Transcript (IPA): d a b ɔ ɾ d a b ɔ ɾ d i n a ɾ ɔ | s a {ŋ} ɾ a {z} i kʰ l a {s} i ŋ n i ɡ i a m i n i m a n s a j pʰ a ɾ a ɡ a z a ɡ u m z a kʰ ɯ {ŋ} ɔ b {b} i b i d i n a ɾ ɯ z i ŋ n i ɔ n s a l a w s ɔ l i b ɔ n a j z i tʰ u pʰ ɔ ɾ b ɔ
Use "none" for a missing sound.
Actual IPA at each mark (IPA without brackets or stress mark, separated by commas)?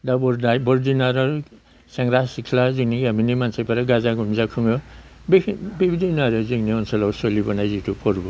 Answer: ŋ, s, z, ŋ, b